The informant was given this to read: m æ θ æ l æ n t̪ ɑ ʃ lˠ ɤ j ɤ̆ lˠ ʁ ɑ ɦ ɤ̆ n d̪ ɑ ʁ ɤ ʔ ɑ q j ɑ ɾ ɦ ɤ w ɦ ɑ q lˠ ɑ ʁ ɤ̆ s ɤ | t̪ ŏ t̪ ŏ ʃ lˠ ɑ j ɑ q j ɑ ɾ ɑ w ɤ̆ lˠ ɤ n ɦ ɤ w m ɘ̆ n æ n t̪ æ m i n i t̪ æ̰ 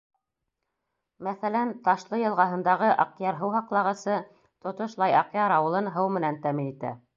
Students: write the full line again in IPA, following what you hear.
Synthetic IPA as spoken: m æ θ æ l æ n t̪ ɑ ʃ lˠ ɤ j ɤ̆ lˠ ʁ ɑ ɦ ɤ̆ n d̪ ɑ ʁ ɤ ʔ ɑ q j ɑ ɾ ɦ ɤ w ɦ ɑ q lˠ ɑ ʁ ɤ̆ s ɤ | t̪ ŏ t̪ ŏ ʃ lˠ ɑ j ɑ q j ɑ ɾ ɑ w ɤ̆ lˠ ɤ n ɦ ɤ w m ɘ̆ n æ n t̪ æ m i n i t̪ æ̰